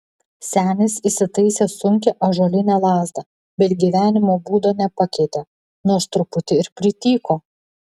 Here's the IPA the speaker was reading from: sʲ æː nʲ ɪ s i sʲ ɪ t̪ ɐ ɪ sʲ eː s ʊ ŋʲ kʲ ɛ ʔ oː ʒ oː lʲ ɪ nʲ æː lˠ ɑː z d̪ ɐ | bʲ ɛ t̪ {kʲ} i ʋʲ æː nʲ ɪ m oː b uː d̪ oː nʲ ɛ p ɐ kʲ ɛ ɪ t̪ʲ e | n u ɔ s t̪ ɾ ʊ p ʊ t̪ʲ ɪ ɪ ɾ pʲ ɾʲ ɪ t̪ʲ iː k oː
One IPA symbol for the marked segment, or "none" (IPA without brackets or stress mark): ɡʲ